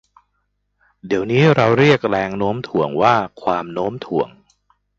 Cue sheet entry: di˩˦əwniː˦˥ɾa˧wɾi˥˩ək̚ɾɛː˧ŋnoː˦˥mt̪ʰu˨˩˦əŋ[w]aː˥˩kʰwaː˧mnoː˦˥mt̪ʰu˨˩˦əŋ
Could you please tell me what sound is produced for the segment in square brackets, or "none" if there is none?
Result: w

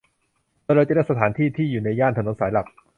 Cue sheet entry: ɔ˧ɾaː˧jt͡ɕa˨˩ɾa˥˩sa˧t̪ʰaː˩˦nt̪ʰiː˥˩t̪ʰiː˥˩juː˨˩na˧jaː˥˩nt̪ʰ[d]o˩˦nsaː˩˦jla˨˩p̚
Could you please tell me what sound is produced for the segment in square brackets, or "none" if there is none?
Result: n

